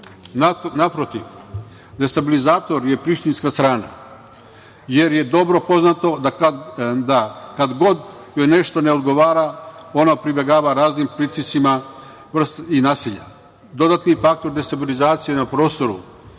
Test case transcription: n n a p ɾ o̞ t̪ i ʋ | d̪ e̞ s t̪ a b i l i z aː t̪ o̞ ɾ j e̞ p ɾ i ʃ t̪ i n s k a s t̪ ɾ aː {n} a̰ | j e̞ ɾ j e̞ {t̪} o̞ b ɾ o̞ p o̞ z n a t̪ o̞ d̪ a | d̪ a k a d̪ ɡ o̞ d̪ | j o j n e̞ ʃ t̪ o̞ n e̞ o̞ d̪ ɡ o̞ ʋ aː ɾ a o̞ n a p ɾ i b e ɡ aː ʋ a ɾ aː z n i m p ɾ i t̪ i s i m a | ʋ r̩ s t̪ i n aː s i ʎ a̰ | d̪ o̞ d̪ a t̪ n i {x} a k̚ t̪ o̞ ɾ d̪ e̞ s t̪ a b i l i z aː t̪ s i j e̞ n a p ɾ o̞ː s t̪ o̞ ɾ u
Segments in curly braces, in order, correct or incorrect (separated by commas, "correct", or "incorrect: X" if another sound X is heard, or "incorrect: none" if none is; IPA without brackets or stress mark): correct, incorrect: d̪, incorrect: f